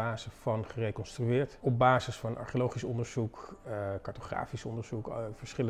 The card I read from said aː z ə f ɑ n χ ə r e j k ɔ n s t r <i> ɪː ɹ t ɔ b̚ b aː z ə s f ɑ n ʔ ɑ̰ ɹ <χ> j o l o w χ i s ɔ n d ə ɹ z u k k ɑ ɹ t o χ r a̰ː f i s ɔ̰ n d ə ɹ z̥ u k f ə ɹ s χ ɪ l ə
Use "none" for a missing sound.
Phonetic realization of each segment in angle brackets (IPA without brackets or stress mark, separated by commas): y, χ